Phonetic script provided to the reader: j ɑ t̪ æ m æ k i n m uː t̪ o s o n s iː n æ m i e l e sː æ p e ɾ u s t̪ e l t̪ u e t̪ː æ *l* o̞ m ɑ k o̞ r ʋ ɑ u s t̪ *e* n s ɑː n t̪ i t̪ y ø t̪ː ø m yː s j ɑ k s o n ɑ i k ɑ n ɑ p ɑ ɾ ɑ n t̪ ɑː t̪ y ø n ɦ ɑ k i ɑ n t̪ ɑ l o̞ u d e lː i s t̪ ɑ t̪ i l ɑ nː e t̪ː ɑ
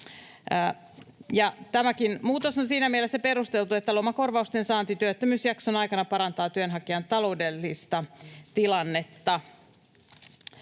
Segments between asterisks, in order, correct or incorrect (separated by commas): correct, correct